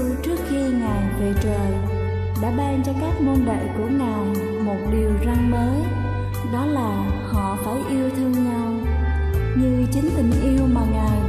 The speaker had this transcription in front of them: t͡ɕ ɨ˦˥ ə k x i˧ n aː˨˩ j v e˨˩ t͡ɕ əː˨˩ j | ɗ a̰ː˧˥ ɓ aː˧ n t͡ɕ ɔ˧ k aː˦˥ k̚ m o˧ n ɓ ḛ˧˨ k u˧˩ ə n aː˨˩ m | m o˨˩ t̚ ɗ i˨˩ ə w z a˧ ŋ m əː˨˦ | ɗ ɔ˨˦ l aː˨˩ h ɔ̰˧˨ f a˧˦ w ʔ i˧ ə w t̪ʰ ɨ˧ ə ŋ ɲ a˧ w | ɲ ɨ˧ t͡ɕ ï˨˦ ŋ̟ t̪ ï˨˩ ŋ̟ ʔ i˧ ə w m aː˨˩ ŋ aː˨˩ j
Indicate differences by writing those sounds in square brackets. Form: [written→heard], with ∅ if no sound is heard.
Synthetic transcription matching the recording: t͡ɕ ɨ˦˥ ə k x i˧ [n→ŋ] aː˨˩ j v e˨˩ t͡ɕ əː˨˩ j | ɗ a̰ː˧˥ ɓ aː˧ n t͡ɕ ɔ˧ k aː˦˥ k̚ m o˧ n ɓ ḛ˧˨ k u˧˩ ə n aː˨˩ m | m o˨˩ t̚ ɗ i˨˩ ə w z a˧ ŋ m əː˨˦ | ɗ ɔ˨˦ l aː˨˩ h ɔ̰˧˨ f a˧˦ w ʔ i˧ ə w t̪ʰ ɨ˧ ə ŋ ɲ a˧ w | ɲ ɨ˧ t͡ɕ ï˨˦ ŋ̟ t̪ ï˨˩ ŋ̟ ʔ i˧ ə w m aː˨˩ ŋ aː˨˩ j